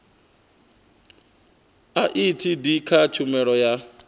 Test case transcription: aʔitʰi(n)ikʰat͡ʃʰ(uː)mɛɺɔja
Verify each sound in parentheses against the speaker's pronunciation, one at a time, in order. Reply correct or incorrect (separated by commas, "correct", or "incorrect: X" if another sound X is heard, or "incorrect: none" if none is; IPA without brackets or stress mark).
incorrect: d, incorrect: u